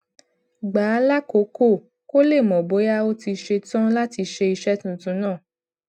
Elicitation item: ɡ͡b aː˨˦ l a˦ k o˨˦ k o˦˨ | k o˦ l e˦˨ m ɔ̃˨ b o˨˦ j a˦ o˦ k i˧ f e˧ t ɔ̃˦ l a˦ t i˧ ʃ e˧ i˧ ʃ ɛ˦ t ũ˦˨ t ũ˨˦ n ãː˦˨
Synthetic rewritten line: ɡ͡b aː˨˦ l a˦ k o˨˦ k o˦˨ | k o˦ l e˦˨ m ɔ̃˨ b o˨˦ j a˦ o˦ t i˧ ʃ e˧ t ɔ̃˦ l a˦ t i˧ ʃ e˧ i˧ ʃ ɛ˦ t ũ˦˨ t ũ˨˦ n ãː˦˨